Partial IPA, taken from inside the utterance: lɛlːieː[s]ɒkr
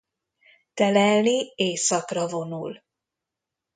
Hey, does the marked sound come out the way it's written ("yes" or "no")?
yes